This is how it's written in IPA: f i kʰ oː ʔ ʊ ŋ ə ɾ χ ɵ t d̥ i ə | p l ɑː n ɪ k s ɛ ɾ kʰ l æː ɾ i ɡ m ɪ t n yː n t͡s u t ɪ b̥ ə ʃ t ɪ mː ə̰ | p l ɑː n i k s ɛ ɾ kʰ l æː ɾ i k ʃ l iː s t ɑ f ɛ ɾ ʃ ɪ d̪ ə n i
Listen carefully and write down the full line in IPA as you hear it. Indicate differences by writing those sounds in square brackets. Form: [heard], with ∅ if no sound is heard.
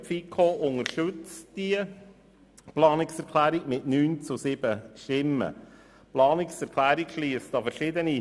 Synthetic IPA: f i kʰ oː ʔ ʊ ŋ ə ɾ [ʃ] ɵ [t͡s] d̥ i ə | p l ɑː n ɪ k s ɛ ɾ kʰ l æː ɾ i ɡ m ɪ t n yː n t͡s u [s] ɪ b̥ ə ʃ t ɪ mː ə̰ | p l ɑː n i k s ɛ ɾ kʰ l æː ɾ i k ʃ l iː s t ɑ f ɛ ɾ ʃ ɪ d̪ ə n i

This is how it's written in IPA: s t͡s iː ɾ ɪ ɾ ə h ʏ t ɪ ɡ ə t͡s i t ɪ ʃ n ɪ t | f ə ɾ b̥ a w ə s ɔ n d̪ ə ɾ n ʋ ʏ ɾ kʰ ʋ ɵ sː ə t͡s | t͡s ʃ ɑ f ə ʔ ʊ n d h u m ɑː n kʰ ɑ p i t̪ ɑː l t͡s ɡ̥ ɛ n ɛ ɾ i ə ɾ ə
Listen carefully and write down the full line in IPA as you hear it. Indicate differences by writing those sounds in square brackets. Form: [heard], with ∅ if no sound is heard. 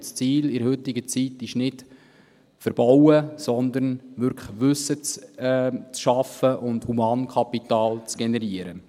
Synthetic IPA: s t͡s iː [l] ɪ ɾ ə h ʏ t ɪ ɡ ə t͡s i t ɪ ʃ n ɪ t | f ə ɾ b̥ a w ə s ɔ n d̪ ə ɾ n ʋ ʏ ɾ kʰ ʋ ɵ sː ə t͡s | t͡s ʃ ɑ f ə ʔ ʊ n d h u m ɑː n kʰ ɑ p i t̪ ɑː l t͡s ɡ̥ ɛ n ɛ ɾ i ə ɾ ə

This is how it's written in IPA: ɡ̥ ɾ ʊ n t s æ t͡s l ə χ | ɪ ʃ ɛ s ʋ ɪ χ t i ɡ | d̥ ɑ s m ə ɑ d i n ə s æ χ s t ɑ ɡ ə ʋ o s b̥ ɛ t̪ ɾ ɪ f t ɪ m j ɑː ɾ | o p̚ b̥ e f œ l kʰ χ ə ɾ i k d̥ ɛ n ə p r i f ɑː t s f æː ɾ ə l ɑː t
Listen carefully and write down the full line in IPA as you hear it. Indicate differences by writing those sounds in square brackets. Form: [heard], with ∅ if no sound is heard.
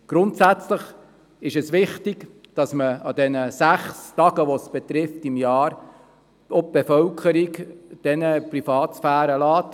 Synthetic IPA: ɡ̥ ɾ ʊ n t s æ t͡s l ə χ | ɪ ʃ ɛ s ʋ ɪ χ t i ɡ | d̥ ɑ s m ə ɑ d [ɛ] n ə s æ χ s t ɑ ɡ ə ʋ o s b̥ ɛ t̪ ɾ ɪ f t ɪ m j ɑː ɾ | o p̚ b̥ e f œ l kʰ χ ə ɾ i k d̥ ɛ n ə p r i f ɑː t s f æː ɾ ə l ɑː t

